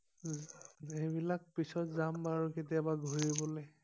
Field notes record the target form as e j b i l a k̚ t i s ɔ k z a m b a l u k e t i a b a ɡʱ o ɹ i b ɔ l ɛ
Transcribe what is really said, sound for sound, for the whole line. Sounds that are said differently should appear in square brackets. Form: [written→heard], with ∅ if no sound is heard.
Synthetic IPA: e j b i l a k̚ [t→p] i s ɔ [k→t] z a m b a [l→ɹ] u k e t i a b a ɡʱ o ɹ i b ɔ l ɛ

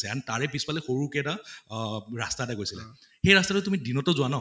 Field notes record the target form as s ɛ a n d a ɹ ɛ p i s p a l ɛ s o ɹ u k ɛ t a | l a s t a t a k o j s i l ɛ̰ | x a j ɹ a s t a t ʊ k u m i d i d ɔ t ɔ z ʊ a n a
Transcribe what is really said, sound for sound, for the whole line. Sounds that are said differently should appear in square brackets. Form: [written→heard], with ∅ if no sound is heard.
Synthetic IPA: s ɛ a n [d→t] a ɹ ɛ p i s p a l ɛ [s→x] o ɹ u k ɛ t a | [l→ɹ] a s t a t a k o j s i l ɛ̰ | x [a→e] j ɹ a s t a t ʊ [k→t] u m i d i [d→n] ɔ t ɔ z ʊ a n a

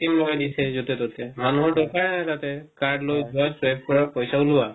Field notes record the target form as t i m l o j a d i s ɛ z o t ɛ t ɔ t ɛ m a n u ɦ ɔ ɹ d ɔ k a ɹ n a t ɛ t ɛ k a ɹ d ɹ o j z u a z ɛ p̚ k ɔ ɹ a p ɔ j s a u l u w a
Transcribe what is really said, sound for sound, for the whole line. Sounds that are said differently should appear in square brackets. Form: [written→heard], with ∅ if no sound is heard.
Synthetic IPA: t i m l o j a d i s ɛ z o t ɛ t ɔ t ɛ m a n u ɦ ɔ ɹ d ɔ k a ɹ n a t [ɛ→a] t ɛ k a ɹ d [ɹ→l] o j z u a [z→s] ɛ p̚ k ɔ ɹ a p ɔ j s a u l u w a

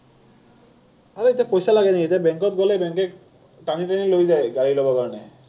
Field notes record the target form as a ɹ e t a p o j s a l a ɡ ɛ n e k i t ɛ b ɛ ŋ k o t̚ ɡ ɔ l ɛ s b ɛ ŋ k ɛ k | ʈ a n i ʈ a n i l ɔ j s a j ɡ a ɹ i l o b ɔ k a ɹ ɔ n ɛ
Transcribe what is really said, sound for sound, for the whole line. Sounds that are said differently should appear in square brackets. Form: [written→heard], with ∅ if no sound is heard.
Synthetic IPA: a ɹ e t a p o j s a l a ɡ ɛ n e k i t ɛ b ɛ ŋ k [o→ɔ] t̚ ɡ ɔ l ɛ [s→∅] b ɛ ŋ k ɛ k | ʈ a n i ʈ a n i l [ɔ→o] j [s→z] a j ɡ a ɹ i l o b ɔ k a ɹ ɔ n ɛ

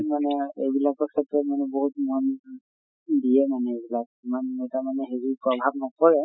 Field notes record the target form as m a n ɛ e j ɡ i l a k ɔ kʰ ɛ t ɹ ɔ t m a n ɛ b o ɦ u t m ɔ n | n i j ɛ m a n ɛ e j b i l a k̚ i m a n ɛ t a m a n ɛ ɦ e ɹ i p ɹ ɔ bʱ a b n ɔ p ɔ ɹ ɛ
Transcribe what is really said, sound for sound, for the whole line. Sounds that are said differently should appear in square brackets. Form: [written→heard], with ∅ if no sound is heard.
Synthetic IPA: m a n ɛ e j [ɡ→b] i l a k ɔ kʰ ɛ t ɹ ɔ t m a n ɛ b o ɦ u t m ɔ n | [n→d] i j ɛ m a n ɛ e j b i l a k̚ i m a n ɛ t a m a n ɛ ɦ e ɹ i p ɹ ɔ bʱ a b n ɔ [p→k] ɔ ɹ ɛ

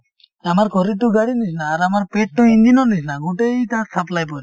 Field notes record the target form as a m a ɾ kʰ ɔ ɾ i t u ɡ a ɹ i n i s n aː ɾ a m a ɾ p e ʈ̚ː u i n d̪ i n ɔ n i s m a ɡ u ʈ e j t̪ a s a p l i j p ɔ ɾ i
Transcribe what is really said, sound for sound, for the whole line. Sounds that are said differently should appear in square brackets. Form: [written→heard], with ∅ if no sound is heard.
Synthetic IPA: a m a ɾ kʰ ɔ ɾ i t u ɡ a [ɹ→ɽ] i n i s n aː ɾ a m a ɾ p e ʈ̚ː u i n d̪ i n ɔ n i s [m→n] a ɡ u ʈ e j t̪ a s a p l [i→a] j p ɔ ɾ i

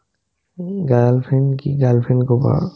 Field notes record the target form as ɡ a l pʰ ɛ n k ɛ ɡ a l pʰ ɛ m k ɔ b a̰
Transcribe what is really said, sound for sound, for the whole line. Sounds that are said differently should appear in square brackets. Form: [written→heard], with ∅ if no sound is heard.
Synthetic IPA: ɡ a l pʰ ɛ n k [ɛ→i] ɡ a l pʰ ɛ [m→n] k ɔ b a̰

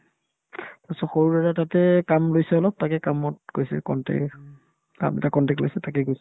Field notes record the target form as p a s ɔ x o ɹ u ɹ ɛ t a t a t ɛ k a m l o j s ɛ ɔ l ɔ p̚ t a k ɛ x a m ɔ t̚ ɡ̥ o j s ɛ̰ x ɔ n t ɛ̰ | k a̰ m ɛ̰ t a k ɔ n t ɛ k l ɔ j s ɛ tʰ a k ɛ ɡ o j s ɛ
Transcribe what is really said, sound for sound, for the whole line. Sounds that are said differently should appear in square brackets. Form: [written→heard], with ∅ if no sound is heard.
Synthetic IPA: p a s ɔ x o ɹ u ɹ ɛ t a t a t ɛ k a m l o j s ɛ ɔ l ɔ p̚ t a k ɛ [x→k] a m ɔ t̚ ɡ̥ o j s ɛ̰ [x→k] ɔ n t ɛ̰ | k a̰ m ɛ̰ t a k ɔ n t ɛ k l [ɔ→o] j s ɛ [tʰ→t] a k ɛ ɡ o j s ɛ

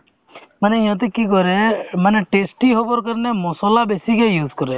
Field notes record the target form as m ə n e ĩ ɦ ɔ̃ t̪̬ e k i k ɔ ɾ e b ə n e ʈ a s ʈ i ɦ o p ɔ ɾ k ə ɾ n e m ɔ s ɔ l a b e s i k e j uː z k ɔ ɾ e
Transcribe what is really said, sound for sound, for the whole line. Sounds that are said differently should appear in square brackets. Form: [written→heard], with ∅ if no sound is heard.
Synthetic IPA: m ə n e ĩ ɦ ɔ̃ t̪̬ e k i k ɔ ɾ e [b→m] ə n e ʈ [a→e] s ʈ i ɦ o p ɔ ɾ k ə ɾ n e m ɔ s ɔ l a b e s i k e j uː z k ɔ ɾ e

